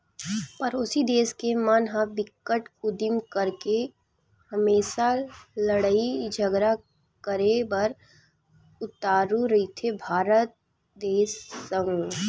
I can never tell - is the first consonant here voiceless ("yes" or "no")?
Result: yes